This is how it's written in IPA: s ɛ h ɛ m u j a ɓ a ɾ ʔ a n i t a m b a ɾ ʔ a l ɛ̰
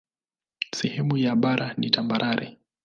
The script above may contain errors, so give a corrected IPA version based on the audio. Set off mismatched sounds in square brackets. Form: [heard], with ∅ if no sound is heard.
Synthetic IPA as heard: s ɛ h ɛ m u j a ɓ a ɾ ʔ a n i t a m b a ɾ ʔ a [ɾ] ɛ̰

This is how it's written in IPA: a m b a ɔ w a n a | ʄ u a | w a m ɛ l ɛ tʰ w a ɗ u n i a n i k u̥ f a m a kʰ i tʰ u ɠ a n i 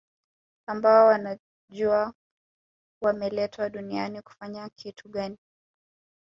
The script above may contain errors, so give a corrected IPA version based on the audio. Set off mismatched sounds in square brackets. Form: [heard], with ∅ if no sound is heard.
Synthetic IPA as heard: a m b a ɔ w a n a | ʄ u a | w a m ɛ l ɛ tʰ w a ɗ u n i a n i k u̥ f a [ɲ] a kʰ i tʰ u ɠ a n i

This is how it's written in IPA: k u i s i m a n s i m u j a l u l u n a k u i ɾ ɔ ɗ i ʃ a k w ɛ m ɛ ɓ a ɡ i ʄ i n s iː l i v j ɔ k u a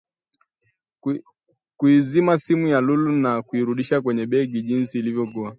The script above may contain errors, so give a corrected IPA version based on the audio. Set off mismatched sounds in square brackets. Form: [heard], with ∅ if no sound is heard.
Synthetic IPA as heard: k u i [z] i m a [∅] s i m u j a l u l u n a k u i ɾ [u] ɗ i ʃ a k w ɛ [ɲ] ɛ ɓ [ɛ] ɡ i ʄ i n s iː l i v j ɔ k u a

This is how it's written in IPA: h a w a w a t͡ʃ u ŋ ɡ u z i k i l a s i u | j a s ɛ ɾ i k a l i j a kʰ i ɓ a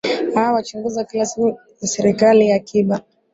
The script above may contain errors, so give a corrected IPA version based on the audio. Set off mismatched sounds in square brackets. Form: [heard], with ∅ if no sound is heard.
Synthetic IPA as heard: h a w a w a t͡ʃ u ŋ ɡ u z [a] k i l a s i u | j a s ɛ ɾ i k a l i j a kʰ i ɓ a

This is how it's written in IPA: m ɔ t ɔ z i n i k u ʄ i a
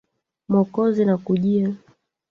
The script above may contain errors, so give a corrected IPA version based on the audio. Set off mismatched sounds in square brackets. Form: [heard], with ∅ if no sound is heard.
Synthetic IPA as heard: m ɔ [k] ɔ z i n [a] k u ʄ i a

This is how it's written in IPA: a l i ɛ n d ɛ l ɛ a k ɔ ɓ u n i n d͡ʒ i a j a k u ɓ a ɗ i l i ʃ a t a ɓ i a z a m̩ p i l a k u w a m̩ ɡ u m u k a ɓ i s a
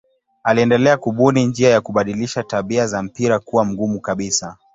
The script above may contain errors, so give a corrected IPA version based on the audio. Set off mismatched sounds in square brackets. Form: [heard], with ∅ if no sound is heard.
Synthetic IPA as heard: a l i ɛ n d ɛ l ɛ a k [u] ɓ u n i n d͡ʒ i a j a k u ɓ a ɗ i l i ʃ a t a ɓ i a z a m̩ p i [ɾ] a k u w a m̩ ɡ u m u k a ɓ i s a

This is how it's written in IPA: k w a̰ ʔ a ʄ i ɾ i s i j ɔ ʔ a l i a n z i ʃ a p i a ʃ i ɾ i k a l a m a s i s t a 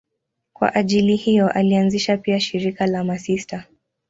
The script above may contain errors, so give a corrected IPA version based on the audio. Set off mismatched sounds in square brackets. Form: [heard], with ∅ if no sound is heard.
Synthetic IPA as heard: k w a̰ ʔ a ʄ i [l] i [h] i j ɔ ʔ a l i a n z i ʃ a p i a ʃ i ɾ i k a l a m a s i s t a

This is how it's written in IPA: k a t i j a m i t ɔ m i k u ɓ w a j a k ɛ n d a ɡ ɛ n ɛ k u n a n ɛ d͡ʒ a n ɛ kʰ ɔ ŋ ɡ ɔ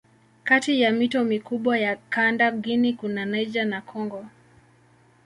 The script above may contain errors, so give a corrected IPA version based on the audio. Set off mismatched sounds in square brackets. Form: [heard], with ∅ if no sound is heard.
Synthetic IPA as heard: k a t i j a m i t ɔ m i k u ɓ w a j a k [a] n d a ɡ [i] n [i] k u n a n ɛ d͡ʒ a n [a] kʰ ɔ ŋ ɡ ɔ

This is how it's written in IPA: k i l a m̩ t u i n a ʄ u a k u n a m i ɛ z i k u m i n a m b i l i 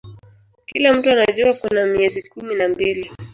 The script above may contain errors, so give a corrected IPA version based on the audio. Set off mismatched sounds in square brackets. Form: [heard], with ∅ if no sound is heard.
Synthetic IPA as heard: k i l a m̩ t u [a] n a ʄ u a k u n a m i ɛ z i k u m i n a m b i l i

